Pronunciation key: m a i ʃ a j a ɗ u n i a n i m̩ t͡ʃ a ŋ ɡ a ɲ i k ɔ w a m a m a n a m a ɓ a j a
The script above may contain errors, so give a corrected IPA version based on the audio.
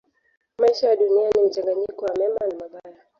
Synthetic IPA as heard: m a i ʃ a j a ɗ u n i a n i m̩ t͡ʃ a ŋ ɡ a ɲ i k ɔ w a m ɛ m a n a m a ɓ a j a